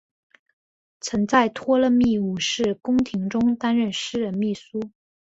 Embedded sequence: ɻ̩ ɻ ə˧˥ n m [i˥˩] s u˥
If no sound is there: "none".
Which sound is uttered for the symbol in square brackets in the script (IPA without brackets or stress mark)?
i˥˩